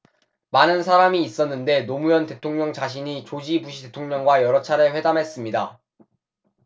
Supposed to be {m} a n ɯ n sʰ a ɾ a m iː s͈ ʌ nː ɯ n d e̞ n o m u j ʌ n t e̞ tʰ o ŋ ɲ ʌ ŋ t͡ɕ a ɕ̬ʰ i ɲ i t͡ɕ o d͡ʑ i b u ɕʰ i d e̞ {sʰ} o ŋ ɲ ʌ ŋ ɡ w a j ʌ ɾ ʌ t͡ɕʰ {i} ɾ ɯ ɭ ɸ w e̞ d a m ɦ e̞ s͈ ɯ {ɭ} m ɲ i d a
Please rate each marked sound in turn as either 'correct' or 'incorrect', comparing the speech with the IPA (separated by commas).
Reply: correct, incorrect, incorrect, incorrect